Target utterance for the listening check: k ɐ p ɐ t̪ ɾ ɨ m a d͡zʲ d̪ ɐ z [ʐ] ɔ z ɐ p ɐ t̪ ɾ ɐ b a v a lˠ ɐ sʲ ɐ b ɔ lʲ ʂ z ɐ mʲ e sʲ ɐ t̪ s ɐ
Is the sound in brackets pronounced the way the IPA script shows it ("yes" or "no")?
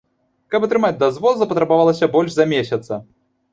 no